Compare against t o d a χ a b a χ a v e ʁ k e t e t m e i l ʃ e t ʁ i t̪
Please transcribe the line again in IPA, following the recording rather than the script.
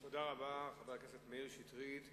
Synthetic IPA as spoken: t o d a ʁ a b a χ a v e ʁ k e s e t m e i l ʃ i t ʁ i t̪